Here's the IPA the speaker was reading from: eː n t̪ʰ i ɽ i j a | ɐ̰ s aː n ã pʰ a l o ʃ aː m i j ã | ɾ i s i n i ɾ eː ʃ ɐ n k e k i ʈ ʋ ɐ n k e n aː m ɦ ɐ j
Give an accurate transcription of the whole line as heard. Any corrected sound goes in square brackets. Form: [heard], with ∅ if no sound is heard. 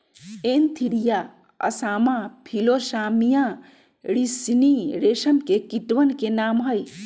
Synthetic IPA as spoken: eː n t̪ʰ i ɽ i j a | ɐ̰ s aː [m] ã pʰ [i] l o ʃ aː m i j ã | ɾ i s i n i ɾ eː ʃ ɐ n k e k i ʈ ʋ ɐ n k e n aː m ɦ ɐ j